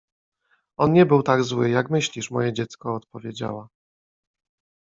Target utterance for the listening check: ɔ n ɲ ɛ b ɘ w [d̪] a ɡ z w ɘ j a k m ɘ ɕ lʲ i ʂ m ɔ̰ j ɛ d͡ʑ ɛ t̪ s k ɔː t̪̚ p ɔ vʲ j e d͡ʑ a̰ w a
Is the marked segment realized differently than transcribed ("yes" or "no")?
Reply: yes